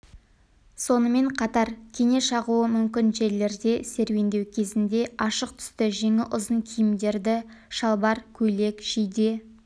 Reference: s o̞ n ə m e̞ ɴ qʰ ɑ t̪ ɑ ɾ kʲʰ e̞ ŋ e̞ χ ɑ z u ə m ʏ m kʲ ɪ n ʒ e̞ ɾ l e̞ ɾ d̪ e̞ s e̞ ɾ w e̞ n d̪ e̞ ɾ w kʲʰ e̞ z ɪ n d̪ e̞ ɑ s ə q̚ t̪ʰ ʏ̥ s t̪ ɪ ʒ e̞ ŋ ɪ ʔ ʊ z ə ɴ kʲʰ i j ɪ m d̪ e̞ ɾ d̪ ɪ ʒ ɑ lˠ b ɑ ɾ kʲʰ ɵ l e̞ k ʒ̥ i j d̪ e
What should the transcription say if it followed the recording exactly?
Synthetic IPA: s o̞ n ə m e̞ ɴ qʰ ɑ t̪ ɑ ɾ kʲʰ e̞ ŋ e̞ ʃ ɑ ʁ u ə m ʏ m kʲ ɪ n ʒ e̞ ɾ l e̞ ɾ d̪ e̞ s e̞ ɾ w e̞ n d̪ e̞ w kʲʰ e̞ z ɪ n d̪ e̞ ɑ ʃ ə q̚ t̪ʰ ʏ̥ s t̪ ɪ ʒ e̞ ŋ ɪ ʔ ʊ z ə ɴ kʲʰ i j ɪ m d̪ e̞ ɾ d̪ ɪ ʃ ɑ lˠ b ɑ ɾ kʲʰ ɵ l e̞ k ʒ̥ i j d̪ e